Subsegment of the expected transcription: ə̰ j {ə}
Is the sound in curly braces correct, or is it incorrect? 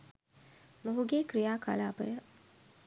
correct